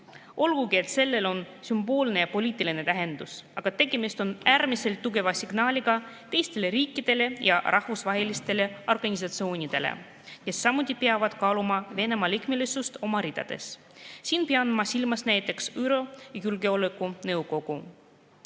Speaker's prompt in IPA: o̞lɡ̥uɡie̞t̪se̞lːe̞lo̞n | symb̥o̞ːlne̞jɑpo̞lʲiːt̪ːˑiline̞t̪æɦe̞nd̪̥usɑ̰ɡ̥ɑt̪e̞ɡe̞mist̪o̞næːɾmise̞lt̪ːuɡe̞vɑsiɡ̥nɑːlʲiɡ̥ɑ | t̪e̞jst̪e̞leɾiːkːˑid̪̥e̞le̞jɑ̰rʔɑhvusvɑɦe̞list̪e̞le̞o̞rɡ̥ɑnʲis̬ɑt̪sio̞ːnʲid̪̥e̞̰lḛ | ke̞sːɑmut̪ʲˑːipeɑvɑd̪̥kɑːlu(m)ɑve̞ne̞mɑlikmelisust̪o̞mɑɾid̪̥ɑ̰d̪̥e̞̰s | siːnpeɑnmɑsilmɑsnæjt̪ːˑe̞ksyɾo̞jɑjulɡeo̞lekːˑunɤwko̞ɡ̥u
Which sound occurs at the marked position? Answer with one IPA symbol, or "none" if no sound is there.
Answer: m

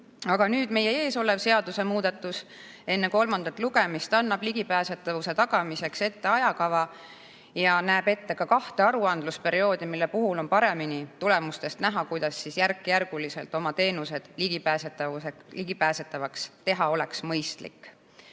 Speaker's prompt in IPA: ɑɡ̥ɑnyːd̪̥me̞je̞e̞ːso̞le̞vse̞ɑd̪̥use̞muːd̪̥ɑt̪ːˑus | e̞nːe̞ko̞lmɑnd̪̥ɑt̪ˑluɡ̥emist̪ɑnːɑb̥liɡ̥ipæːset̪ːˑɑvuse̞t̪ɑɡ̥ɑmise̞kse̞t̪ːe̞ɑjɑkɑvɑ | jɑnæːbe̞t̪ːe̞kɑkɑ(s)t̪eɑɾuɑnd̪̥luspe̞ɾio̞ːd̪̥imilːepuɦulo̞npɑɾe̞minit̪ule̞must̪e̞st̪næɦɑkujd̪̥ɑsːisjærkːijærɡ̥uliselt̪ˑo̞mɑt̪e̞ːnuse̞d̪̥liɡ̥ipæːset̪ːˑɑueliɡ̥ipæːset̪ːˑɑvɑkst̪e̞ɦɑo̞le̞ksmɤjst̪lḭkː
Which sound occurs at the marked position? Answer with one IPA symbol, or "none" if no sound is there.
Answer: h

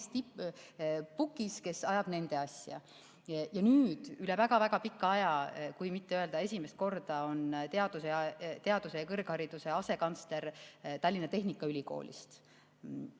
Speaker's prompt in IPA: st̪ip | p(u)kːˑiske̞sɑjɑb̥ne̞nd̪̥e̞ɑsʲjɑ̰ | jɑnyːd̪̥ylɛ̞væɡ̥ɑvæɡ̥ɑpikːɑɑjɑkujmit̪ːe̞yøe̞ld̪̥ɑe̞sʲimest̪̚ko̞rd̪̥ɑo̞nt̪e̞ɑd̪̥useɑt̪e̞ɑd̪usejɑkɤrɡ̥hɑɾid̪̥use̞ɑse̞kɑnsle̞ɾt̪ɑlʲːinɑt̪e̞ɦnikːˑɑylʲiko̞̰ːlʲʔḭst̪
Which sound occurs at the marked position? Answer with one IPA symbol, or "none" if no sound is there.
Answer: u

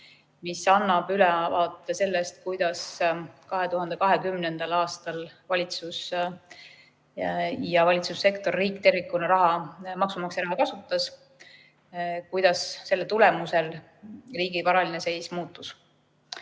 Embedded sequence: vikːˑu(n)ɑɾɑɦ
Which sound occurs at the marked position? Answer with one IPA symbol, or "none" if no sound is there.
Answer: n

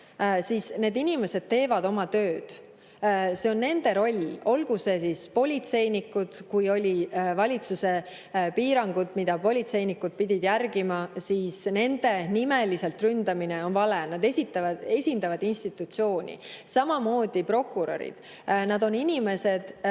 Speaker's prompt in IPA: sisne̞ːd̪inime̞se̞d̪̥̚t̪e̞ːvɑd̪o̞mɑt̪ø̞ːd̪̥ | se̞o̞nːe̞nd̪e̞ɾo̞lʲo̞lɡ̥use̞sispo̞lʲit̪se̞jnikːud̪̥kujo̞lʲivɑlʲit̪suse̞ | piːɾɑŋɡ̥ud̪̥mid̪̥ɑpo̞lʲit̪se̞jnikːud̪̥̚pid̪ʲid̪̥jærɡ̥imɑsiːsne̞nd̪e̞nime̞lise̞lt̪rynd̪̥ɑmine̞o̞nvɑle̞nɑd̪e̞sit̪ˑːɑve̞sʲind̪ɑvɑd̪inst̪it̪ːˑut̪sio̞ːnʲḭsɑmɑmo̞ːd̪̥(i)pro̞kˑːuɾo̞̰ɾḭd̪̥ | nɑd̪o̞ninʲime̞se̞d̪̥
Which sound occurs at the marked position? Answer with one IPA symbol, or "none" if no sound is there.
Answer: i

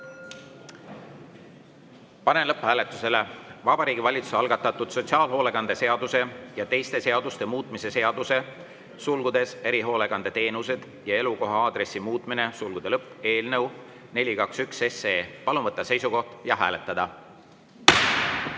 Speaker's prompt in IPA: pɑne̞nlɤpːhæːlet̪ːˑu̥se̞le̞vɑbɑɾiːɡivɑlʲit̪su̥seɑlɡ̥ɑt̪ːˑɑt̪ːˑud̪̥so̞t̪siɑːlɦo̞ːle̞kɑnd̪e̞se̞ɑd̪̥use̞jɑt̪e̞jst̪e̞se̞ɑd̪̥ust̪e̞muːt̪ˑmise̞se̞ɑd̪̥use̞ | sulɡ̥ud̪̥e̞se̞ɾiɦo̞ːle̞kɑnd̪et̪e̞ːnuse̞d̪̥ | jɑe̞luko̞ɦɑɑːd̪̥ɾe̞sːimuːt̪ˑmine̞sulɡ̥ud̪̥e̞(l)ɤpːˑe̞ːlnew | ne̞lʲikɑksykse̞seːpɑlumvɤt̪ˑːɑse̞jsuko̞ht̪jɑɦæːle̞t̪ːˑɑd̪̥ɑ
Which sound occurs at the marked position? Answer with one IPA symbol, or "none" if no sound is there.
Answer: l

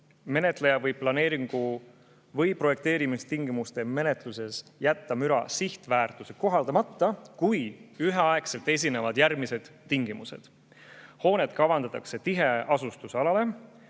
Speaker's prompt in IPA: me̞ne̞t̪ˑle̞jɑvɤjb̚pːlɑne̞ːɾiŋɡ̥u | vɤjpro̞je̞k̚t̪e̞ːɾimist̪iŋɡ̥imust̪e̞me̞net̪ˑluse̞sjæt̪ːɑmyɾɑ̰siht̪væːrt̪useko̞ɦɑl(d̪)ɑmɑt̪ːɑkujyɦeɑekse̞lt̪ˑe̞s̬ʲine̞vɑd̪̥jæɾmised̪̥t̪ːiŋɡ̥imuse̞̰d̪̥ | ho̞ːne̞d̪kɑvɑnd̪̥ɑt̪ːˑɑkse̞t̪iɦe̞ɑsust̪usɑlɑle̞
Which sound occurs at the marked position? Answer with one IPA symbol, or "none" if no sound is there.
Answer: d̪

